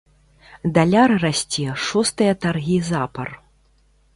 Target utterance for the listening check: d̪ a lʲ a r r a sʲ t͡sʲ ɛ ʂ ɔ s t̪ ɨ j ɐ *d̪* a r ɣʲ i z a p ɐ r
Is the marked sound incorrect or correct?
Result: incorrect